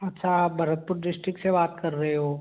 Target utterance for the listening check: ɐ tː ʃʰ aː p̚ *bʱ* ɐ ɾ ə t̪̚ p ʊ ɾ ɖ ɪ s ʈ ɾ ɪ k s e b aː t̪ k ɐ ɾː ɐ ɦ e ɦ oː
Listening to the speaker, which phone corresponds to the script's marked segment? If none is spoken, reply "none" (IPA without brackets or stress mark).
bʱ